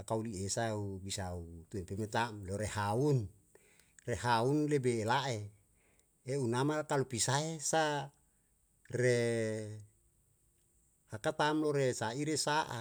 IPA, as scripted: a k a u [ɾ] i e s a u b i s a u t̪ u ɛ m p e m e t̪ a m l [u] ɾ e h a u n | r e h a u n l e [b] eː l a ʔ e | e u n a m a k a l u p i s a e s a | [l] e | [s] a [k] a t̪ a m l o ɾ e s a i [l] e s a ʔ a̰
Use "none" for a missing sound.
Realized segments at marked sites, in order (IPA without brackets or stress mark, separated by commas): l, o, b, r, h, k, ɾ